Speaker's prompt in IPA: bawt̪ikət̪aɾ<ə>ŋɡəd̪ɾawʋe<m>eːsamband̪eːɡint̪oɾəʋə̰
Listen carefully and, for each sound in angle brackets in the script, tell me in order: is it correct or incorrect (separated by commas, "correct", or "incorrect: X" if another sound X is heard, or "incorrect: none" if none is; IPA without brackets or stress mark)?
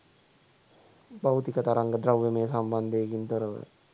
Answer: incorrect: a, correct